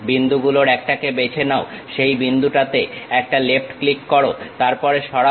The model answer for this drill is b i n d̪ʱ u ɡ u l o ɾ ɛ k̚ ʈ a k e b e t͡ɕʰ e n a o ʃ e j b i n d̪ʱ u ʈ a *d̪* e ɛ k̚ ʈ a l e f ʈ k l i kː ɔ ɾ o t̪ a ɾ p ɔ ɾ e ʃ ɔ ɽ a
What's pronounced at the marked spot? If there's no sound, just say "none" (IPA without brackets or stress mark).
t̪